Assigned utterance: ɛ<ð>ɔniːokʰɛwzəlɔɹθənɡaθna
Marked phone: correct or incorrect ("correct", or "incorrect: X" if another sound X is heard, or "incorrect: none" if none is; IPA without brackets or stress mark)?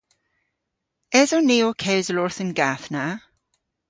incorrect: z